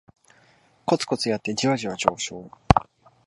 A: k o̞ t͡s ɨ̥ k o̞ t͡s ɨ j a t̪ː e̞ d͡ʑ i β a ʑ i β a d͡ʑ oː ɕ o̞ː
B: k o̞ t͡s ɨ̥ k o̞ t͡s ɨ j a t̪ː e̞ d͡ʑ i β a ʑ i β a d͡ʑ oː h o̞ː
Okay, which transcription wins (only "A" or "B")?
A